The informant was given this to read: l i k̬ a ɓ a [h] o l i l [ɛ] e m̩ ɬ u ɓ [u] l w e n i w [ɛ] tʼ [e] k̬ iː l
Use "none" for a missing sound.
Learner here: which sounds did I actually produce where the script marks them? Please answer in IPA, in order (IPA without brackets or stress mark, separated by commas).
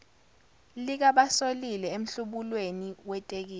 s, ɛ, u, ɛ, e